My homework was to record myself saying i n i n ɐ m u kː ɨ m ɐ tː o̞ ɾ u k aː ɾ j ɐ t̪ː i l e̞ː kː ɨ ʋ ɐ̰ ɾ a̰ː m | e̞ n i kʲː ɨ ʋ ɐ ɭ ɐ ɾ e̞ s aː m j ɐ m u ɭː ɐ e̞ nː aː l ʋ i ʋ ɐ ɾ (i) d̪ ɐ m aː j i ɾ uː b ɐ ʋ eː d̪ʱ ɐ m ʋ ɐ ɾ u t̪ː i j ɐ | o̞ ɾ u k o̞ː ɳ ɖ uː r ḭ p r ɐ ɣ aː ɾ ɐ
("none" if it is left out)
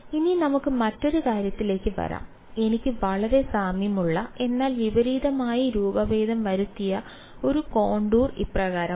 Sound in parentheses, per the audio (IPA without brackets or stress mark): iː